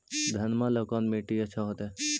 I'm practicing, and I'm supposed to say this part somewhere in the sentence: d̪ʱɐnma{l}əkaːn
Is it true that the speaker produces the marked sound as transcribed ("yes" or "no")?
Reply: yes